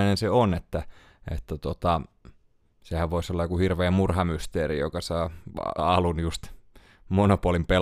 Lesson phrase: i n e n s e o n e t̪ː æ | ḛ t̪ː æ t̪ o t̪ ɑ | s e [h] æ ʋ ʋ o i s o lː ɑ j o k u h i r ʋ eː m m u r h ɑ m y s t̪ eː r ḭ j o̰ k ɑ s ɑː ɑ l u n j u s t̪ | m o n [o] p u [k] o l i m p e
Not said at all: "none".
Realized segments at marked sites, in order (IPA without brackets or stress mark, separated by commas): h, o, none